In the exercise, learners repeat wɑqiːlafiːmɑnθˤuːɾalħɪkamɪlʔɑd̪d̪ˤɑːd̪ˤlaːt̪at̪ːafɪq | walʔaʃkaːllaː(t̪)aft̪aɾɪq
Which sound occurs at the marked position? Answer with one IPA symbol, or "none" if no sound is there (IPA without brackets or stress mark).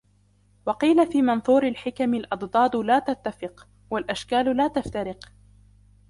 t̪